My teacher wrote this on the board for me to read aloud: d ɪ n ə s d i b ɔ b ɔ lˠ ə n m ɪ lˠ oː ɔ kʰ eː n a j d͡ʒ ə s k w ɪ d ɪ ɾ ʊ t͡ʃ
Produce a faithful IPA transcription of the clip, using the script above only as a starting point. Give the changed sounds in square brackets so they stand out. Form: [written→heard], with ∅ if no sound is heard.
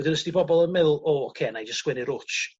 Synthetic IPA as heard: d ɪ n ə s d i b ɔ b ɔ lˠ ə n m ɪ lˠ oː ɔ kʰ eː n a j d͡ʒ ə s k w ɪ [d→n] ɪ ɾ ʊ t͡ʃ

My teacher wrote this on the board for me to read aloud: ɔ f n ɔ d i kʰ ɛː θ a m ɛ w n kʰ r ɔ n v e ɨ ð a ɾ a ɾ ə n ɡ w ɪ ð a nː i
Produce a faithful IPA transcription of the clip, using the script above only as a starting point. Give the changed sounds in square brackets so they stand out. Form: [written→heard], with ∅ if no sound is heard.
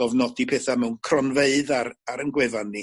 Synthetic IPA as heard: ɔ [f→v] n ɔ d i [kʰ→pʰ] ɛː θ a m ɛ w n kʰ r ɔ n v e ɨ ð a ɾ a ɾ ə n ɡ w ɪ [ð→v] a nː i

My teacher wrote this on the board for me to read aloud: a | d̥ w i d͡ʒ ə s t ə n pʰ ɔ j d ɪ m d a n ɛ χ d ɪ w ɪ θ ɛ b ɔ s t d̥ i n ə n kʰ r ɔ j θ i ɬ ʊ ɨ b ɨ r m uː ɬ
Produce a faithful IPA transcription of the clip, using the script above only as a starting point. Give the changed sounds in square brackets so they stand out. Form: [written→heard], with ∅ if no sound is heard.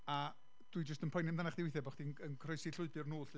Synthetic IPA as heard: a | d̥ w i d͡ʒ ə s t ə n pʰ ɔ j [d→n] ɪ m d a n [ɛ→a] χ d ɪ w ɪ θ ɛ b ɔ [s→χ] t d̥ i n ə n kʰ r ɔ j [θ→s] i ɬ ʊ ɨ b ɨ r [m→n] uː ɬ

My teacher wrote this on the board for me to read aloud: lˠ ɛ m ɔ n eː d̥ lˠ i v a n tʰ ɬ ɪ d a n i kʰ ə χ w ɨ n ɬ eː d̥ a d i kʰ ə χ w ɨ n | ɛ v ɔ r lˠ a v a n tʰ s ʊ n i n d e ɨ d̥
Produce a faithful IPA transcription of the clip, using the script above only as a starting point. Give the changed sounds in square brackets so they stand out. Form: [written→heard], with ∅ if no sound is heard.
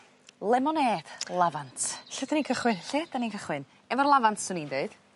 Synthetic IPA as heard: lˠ ɛ m ɔ n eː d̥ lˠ [i→a] v a n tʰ ɬ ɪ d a n i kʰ ə χ w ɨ n ɬ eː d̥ a [d→n] i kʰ ə χ w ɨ n | ɛ v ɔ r lˠ a v a n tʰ s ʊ n i n d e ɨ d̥

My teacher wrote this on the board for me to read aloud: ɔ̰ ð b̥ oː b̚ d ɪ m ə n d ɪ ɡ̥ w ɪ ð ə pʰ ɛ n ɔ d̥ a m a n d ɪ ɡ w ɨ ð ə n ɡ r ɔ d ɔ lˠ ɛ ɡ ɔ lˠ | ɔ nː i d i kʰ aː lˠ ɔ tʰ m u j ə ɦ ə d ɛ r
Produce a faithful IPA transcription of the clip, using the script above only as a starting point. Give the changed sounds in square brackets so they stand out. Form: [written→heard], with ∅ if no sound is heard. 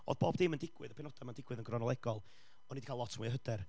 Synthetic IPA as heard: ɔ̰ ð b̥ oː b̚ d ɪ m ə n d ɪ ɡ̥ w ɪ ð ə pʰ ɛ n ɔ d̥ a m a n d ɪ ɡ w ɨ ð ə n ɡ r ɔ [d→n] ɔ lˠ ɛ ɡ ɔ lˠ | ɔ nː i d i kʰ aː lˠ ɔ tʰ m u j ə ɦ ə d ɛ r

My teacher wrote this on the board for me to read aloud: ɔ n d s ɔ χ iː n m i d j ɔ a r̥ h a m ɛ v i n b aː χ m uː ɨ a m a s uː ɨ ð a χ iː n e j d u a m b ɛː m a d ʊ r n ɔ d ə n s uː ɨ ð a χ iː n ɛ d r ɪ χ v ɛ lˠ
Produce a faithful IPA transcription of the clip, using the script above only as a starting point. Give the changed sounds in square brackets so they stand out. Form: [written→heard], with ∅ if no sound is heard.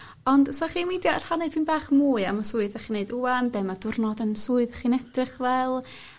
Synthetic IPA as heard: ɔ n d s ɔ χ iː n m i d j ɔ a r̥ h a [m→n] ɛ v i n b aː χ m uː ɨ a m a s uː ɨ ð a χ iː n e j d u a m b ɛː m a d ʊ r n ɔ d ə n s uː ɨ ð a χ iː n ɛ d r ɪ χ v ɛ lˠ

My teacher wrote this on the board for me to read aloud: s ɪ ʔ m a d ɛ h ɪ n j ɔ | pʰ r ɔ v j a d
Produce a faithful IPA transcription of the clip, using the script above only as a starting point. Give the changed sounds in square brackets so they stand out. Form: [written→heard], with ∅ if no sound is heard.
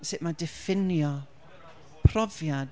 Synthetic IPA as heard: s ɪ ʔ m a d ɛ [h→f] ɪ n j ɔ | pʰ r ɔ v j a d

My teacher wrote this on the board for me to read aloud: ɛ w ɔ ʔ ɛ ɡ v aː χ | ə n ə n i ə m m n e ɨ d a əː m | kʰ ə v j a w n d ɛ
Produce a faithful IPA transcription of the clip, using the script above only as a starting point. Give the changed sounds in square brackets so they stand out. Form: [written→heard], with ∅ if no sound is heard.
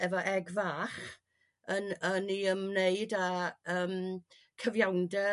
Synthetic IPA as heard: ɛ [w→v] ɔ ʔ ɛ ɡ v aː χ | ə n ə n i ə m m n e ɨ d a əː m | kʰ ə v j a w n d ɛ

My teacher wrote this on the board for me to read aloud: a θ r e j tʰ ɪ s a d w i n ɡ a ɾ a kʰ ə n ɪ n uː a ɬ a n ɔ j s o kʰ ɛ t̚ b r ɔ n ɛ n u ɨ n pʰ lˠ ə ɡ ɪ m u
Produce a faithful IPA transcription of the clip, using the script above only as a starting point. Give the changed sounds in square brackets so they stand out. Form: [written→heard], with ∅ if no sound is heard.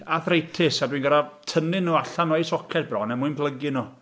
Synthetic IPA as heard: a θ r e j tʰ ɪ s a d w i n ɡ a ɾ a [kʰ→tʰ] ə n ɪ n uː a ɬ a n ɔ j s [o→ɔ] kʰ ɛ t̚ b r ɔ n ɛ [n→m] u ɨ n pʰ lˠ ə ɡ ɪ [m→n] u

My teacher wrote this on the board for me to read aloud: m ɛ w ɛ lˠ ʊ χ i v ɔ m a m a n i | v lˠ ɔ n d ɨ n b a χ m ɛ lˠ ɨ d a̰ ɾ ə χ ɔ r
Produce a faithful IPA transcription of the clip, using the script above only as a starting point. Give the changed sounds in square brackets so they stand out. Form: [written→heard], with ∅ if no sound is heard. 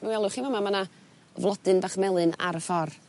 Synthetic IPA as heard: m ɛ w ɛ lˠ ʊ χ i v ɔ m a m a n [i→a] | v lˠ ɔ [n→∅] d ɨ n b a χ m ɛ lˠ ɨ [d→n] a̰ ɾ ə [χ→f] ɔ r

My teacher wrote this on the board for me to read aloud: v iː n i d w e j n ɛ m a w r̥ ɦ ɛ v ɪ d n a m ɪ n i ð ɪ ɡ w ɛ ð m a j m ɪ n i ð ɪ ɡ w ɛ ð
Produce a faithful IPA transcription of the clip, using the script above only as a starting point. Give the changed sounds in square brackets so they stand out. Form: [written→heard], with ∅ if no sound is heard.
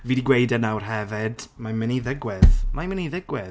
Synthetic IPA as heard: v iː [n→d] i [d→ɡ] w e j [n→d] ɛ [m→n] a w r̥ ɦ ɛ v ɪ d [n→m] a m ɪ n i ð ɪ ɡ w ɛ ð m a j m ɪ n i ð ɪ ɡ w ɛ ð

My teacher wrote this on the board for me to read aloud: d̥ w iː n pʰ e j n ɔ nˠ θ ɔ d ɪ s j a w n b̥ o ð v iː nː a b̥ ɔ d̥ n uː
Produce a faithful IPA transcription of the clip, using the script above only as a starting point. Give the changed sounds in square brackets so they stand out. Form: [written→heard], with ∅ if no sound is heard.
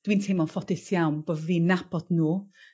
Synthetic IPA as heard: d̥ w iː n [pʰ→tʰ] e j [n→m] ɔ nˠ [θ→f] ɔ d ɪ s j a w n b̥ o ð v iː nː a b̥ ɔ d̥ n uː

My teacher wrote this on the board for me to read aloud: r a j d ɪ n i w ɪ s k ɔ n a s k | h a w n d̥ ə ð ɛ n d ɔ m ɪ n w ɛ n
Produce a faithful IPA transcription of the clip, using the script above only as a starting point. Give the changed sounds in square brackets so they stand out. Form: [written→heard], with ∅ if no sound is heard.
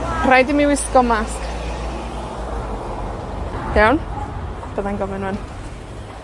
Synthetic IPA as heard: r a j d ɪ [n→m] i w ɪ s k ɔ [n→m] a s k | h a w n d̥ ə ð [ɛ→a] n [d→ɡ] ɔ m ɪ n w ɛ n

